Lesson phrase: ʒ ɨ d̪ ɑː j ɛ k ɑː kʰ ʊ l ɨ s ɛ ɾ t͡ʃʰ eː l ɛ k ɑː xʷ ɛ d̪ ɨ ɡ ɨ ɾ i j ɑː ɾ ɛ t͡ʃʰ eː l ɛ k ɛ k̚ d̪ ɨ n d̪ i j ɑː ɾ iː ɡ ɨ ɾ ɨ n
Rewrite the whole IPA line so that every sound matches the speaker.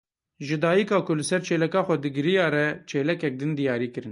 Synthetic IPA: ʒ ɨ d̪ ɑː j i k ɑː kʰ ʊ l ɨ s ɛ ɾ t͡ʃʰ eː l ɛ k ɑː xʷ ɛ d̪ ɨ ɡ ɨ ɾ i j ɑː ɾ ɛ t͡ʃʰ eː l ɛ k ɛ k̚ d̪ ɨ n d̪ i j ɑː ɾ iː k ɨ ɾ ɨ n